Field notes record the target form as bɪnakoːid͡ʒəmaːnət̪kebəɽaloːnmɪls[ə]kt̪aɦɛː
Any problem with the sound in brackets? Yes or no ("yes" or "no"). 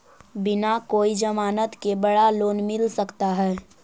no